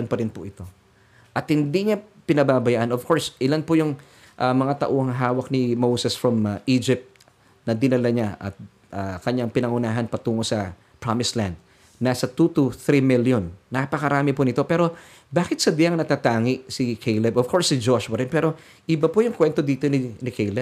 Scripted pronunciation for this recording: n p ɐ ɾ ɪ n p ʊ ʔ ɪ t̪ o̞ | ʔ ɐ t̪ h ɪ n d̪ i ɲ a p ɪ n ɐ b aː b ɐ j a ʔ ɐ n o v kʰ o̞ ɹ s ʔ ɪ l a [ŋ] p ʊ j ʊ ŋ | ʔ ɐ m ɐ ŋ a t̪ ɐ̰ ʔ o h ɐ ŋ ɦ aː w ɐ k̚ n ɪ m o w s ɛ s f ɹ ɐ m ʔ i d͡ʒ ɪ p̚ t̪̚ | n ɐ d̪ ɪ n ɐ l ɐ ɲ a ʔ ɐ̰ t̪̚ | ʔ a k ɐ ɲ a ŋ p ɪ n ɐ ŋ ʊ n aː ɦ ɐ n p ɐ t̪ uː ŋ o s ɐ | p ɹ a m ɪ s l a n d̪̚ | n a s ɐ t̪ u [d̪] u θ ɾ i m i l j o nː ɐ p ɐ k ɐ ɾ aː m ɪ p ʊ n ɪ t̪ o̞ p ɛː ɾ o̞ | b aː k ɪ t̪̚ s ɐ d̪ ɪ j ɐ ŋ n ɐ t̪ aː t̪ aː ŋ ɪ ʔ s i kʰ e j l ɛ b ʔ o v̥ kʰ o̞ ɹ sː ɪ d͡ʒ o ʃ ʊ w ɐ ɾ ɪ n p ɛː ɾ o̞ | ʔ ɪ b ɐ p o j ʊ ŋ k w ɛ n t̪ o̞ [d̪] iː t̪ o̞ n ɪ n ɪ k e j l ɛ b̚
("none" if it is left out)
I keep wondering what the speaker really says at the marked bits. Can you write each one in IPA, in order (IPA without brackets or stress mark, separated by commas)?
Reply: n, t̪, d̪